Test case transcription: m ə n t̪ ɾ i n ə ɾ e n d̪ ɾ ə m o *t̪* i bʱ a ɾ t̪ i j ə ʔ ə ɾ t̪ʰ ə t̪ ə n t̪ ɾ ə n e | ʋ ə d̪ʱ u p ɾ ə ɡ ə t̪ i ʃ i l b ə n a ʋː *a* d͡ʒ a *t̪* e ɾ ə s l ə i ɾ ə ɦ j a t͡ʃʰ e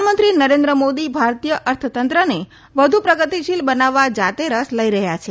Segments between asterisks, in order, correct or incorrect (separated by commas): incorrect, correct, correct